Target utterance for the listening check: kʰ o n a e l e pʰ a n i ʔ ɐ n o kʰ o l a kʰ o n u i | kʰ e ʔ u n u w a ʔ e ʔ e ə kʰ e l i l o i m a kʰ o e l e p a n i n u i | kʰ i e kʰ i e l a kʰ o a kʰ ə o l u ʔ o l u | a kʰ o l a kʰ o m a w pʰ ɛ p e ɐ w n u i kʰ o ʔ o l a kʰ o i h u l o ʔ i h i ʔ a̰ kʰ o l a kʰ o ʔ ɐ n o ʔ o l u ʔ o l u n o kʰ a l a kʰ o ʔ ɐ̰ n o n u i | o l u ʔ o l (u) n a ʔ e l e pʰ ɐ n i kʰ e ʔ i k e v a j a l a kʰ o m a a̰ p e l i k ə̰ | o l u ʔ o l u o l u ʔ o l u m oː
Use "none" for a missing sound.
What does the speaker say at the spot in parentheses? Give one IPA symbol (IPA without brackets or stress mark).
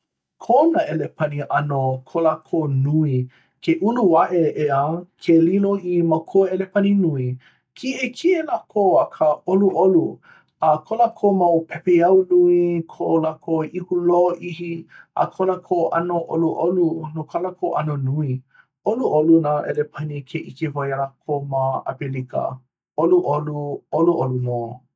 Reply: u